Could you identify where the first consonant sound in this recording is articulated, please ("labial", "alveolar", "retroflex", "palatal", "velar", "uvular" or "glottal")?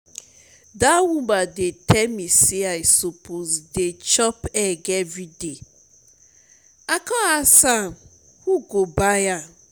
alveolar